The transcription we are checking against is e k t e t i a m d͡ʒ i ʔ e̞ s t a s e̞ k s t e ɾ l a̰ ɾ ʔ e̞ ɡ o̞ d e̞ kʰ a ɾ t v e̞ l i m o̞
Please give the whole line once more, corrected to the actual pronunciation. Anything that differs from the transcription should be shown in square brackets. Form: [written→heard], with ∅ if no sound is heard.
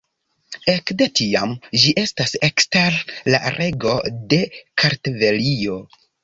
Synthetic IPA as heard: e k [t→d] e t i a m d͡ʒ i ʔ e̞ s t a s e̞ k s t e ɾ l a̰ ɾ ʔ e̞ ɡ o̞ d e̞ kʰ a ɾ t v e̞ l i [m→∅] o̞